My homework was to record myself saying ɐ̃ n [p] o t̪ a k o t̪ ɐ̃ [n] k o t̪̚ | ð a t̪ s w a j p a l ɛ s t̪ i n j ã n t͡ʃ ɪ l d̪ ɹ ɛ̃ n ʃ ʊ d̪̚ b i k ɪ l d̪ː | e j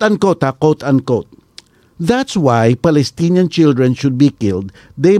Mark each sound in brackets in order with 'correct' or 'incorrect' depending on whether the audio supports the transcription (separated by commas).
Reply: incorrect, correct